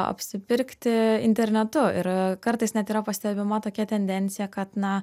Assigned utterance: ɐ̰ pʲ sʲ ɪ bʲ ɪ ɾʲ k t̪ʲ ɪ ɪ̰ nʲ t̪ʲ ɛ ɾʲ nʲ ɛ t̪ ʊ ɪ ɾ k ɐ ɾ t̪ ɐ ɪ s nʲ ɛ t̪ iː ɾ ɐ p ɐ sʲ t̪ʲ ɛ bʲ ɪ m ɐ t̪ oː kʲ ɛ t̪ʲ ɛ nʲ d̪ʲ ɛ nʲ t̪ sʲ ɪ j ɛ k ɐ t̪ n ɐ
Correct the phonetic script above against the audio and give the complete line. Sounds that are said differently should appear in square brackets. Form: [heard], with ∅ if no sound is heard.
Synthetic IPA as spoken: ɐ̰ pʲ sʲ ɪ [pʲ] ɪ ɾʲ k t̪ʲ ɪ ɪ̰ nʲ t̪ʲ ɛ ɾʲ nʲ ɛ t̪ ʊ ɪ ɾ k ɐ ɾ t̪ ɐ ɪ s nʲ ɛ t̪ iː ɾ ɐ p ɐ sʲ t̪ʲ ɛ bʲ ɪ m ɐ t̪ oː kʲ ɛ t̪ʲ ɛ nʲ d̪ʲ ɛ nʲ t̪ sʲ ɪ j ɛ k ɐ t̪ n ɐ